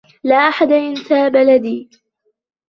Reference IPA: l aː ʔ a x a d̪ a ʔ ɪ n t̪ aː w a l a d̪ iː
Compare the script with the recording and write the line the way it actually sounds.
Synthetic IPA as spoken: l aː ʔ a ħ a d̪ a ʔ ɪ n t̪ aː b a l a d̪ iː